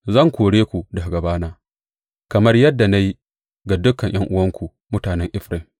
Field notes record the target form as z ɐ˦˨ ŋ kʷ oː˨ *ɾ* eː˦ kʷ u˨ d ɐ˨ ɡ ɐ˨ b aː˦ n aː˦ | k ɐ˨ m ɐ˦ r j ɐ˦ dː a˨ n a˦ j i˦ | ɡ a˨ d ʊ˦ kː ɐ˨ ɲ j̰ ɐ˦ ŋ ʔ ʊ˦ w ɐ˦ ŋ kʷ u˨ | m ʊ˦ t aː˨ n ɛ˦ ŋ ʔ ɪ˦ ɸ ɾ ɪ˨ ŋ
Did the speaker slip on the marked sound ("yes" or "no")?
yes